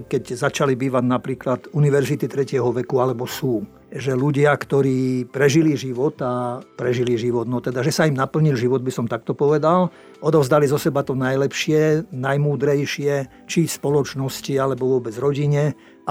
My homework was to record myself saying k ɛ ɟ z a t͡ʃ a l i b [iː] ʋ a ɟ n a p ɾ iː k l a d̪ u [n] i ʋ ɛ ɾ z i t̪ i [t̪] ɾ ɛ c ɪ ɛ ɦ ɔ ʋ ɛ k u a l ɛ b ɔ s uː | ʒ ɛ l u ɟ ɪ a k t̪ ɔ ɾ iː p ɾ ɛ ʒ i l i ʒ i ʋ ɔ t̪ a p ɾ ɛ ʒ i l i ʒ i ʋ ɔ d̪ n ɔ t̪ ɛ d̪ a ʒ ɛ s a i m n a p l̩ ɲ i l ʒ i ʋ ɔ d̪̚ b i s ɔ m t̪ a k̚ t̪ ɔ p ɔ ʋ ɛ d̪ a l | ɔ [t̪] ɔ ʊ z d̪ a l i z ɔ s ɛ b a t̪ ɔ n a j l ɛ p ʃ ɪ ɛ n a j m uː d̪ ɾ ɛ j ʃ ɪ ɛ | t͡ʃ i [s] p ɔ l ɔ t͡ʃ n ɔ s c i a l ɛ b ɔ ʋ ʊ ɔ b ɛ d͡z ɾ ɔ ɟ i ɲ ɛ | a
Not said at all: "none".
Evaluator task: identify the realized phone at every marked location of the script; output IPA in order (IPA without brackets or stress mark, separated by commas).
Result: iː, n, t̪, d̪, s